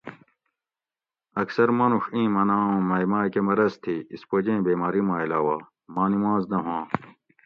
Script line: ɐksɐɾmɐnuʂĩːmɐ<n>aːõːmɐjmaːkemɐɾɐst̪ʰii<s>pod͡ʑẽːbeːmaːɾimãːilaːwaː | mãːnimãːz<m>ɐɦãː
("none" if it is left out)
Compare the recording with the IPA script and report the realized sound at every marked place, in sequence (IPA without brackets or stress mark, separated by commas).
n, s, n